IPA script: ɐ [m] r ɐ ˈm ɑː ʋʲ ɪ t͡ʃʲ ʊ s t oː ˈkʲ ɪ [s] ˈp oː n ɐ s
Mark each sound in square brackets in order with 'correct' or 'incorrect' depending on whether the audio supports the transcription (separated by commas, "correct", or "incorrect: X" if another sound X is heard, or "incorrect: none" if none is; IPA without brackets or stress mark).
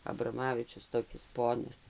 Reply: incorrect: b, correct